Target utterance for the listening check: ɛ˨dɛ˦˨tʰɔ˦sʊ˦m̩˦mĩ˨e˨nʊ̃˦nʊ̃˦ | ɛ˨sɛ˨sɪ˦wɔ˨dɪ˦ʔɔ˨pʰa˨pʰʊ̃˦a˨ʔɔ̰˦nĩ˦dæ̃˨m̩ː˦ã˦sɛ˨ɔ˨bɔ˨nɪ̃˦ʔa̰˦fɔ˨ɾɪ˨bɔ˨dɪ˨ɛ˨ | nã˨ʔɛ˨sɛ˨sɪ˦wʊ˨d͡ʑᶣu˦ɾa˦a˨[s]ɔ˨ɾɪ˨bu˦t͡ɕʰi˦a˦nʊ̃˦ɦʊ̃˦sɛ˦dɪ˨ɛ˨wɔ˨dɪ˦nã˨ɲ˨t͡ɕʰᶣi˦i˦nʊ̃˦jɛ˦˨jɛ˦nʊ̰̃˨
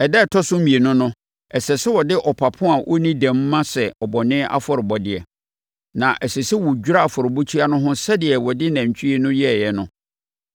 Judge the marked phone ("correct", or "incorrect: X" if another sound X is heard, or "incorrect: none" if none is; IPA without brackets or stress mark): incorrect: f